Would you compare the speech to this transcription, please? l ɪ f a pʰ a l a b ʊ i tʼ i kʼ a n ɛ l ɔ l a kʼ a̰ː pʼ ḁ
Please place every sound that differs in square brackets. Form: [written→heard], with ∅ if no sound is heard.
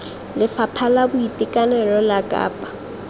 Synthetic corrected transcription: l ɪ f a pʰ a l a b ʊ i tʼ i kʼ a n ɛ l ɔ l a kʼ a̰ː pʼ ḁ